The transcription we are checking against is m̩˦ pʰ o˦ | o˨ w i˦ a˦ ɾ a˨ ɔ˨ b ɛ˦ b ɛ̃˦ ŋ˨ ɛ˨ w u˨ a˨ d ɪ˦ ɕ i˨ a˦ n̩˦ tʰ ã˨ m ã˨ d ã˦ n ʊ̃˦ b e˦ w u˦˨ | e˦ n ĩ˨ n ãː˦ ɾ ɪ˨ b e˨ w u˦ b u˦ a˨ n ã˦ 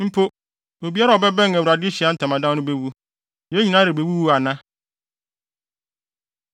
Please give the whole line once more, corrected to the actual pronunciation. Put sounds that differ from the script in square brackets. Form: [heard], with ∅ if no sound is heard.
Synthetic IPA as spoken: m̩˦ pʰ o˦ | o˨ [b] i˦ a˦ ɾ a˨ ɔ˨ b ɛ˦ b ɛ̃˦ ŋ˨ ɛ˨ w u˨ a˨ d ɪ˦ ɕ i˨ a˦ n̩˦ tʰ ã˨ m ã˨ d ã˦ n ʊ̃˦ b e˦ w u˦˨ | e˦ [ɲ] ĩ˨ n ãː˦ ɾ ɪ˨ b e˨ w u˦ [w] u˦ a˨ n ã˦